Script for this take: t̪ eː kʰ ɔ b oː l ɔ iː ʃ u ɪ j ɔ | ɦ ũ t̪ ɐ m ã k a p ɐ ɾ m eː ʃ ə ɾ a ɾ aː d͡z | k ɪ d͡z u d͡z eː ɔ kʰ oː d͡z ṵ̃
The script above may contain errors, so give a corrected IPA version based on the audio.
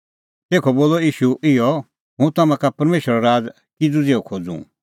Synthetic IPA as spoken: t̪ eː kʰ ɔ b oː l ɔ iː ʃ u ɪ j ɔ | ɦ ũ t̪ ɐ m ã k a p ɐ ɾ m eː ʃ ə ɾ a ɾ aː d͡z | k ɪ d͡z u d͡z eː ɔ kʰ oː d͡z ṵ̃